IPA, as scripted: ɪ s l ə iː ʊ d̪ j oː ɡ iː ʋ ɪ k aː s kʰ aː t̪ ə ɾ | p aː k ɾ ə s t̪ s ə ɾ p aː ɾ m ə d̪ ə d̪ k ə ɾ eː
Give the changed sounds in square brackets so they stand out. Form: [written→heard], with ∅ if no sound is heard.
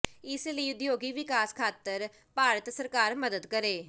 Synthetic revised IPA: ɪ s l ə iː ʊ d̪ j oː ɡ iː ʋ ɪ k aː s kʰ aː t̪ ə ɾ | p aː [k→∅] ɾ ə [s→∅] t̪ s ə ɾ [p→k] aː ɾ m ə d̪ ə d̪ k ə ɾ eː